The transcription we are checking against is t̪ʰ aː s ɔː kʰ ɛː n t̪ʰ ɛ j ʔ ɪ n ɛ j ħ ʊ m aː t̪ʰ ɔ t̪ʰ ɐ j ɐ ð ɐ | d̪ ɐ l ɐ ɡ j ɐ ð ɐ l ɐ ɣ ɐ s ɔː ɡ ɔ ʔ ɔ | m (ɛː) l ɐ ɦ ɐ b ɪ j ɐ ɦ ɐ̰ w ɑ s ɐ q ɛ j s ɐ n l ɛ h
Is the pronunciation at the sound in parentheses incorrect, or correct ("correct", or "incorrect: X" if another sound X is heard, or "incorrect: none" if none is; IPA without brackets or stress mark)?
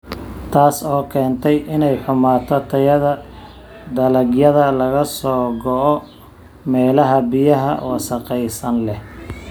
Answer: correct